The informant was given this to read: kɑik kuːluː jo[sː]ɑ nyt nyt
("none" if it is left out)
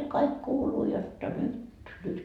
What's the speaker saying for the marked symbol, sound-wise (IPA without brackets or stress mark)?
tː